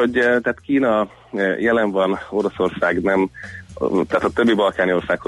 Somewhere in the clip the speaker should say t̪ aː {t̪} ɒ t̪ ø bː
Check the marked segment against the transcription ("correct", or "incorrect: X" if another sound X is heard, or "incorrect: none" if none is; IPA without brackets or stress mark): correct